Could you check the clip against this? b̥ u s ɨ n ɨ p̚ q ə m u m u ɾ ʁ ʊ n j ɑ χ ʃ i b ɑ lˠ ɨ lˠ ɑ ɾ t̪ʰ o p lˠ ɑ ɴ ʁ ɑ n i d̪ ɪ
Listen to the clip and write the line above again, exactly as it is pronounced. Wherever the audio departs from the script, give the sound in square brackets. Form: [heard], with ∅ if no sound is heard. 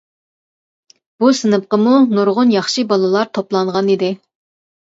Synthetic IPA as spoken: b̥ u s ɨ n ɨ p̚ q ə m u [n] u ɾ ʁ ʊ n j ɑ χ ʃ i b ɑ lˠ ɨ lˠ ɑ ɾ t̪ʰ o p lˠ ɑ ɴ ʁ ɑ n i d̪ ɪ